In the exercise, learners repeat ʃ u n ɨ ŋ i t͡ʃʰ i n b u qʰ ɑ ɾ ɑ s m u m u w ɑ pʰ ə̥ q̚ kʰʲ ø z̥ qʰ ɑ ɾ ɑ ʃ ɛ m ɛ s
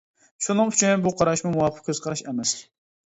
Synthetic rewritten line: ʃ u n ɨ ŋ y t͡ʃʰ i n b u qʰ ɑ ɾ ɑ ʃ m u m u w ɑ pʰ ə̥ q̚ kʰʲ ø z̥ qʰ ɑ ɾ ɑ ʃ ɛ m ɛ s

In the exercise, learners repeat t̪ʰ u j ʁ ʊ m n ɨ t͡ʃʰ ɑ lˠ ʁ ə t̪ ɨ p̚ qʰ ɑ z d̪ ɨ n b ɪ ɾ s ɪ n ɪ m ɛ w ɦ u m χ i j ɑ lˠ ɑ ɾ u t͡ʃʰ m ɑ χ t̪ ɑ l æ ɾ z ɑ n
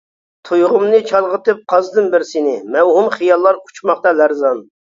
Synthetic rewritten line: t̪ʰ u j ʁ ʊ m n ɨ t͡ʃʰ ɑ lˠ ʁ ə t̪ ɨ p̚ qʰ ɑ z d̪ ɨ n b ɪ ɾ s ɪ n ɪ m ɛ w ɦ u m χ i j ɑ lˠː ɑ ɾ u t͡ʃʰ m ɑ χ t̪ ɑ l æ ɾ z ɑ n

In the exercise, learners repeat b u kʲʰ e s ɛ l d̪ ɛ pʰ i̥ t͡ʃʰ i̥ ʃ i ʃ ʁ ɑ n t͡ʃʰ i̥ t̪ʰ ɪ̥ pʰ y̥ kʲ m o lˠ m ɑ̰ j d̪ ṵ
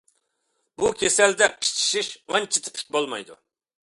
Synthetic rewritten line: b u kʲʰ e s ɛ l d̪ ɛ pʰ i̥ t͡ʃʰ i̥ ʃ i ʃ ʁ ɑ n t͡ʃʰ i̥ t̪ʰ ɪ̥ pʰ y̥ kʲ b o lˠ m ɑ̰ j d̪ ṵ

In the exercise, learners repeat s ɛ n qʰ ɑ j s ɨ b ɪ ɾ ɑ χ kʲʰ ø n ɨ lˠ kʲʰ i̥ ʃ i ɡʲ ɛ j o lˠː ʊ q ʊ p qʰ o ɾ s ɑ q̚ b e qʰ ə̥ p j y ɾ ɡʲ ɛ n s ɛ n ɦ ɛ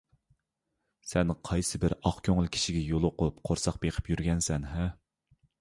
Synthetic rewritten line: s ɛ n qʰ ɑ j s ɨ b ɪ ɾ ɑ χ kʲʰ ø ŋ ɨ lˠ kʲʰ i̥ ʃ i ɡʲ ɛ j o lˠ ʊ q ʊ p qʰ o ɾ s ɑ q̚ b e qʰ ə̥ p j y ɾ ɡʲ ɛ n s ɛ n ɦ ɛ

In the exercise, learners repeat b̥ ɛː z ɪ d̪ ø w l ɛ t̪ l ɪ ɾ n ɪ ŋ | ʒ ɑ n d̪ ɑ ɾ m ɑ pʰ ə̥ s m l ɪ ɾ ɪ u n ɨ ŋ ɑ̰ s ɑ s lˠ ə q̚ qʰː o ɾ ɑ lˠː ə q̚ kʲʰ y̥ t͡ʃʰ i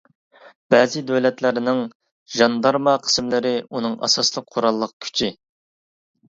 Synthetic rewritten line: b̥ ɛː z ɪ d̪ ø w l ɛ t̪ l ɪ ɾ n ɪ ŋ | ʒ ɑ n d̪ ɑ ɾ m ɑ qʰ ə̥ s m l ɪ ɾ ɪ u n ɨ ŋ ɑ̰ s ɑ s lˠ ə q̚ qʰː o ɾ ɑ lˠː ə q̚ kʲʰ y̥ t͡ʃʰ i

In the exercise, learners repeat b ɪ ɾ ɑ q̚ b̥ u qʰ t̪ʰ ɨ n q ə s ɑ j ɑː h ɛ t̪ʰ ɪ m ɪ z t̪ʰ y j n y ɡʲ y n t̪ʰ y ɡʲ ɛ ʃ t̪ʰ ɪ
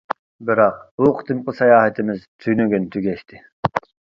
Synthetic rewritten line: b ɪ ɾ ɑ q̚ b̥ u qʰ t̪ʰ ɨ m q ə s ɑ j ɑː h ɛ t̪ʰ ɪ m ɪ z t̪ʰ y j n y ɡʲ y n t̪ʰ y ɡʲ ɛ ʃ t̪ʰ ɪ

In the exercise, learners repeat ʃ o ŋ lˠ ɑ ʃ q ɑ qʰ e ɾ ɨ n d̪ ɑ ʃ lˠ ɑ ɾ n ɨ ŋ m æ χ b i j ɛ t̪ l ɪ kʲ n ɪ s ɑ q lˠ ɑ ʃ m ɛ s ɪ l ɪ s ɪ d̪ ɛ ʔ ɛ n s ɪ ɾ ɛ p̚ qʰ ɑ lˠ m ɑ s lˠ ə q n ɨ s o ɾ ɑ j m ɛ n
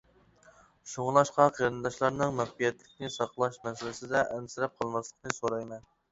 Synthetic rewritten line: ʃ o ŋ lˠ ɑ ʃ q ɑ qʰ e ɾ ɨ n d̪ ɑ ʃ lˠ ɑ ɾ n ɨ ŋ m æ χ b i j ɛ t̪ l ɪ kʲ n ɪ s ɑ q lˠ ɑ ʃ m ɛ s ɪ l ɪ s ɪ d̪ ɛ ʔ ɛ n s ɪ ɾ ɛ p̚ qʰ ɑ lˠ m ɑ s lˠ ə q n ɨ s o ɾ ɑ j m ɛ n

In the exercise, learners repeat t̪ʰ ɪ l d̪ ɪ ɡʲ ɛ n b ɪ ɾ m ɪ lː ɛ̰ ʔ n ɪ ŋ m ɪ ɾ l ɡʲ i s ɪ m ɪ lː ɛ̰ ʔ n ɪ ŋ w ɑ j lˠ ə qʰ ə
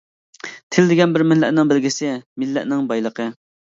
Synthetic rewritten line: t̪ʰ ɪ l d̪ ɪ ɡʲ ɛ n b ɪ ɾ m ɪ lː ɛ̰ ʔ n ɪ ŋ b ɪ l ɡʲ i s ɪ m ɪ lː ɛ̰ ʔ n ɪ ŋ b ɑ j lˠ ə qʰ ə

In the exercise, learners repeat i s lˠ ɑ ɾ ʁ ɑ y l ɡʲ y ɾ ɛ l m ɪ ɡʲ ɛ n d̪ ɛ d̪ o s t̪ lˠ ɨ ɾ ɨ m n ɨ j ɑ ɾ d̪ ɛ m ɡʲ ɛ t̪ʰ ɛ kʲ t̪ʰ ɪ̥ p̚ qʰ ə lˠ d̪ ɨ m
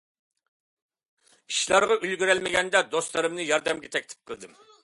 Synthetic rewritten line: i ʃ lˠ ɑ ɾ ʁ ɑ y l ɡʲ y ɾ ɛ l m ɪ ɡʲ ɛ n d̪ ɛ d̪ o s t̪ lˠ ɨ ɾ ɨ m n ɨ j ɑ ɾ d̪ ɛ m ɡʲ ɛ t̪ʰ ɛ kʲ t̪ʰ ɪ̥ p̚ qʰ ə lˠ d̪ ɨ m

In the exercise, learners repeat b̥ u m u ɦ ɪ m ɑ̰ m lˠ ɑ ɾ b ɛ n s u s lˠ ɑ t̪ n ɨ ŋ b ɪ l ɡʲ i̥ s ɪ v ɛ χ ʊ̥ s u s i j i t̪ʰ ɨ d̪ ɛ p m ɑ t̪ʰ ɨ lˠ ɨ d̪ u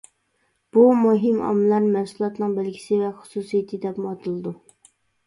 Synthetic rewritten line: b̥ u m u ɦ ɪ m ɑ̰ m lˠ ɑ ɾ m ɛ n s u lˠ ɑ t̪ n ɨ ŋ b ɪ l ɡʲ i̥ s ɪ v ɛ χ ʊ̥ s u s i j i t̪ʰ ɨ d̪ ɛ p m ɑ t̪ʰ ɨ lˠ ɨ d̪ u

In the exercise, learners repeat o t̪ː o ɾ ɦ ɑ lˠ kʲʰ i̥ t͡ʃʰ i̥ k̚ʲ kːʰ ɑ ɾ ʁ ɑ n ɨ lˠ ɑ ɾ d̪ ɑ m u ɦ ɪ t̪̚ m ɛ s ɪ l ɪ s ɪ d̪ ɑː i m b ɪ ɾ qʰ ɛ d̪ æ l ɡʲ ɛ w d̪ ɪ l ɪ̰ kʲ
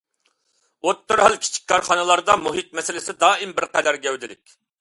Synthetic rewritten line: o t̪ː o ɾ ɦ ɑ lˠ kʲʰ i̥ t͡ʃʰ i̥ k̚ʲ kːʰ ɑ ɾ χ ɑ n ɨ lˠ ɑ ɾ d̪ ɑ m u ɦ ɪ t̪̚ m ɛ s ɪ l ɪ s ɪ d̪ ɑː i m b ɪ ɾ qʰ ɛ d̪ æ ɾ ɡʲ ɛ w d̪ ɪ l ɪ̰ kʲ

